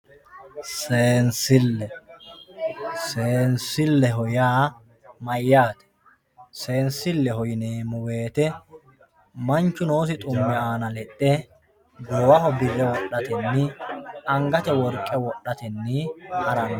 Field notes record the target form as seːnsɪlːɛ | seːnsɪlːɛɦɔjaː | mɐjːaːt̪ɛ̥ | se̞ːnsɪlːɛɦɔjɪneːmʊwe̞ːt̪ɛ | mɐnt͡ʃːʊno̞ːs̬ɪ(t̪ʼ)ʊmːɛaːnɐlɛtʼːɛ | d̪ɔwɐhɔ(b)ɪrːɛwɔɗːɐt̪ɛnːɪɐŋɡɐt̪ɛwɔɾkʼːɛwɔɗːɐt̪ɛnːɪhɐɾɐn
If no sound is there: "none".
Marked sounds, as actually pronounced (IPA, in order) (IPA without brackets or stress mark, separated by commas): t̪ʼ, b